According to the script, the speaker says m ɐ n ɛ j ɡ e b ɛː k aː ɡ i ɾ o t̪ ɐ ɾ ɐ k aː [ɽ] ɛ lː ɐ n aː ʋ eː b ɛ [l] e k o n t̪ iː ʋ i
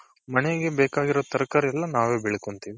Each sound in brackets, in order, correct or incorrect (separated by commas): incorrect, incorrect